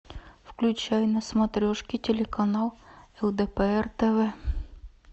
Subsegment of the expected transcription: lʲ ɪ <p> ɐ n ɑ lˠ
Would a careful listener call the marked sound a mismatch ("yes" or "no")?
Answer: yes